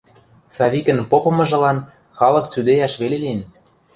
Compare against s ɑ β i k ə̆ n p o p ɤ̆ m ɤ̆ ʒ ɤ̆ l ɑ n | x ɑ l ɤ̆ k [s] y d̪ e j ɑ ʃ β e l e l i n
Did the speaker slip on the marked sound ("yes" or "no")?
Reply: yes